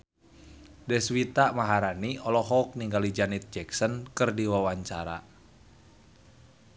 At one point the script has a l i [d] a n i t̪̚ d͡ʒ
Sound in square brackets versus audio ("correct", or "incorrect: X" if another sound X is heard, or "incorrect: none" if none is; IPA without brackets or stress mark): incorrect: d͡ʒ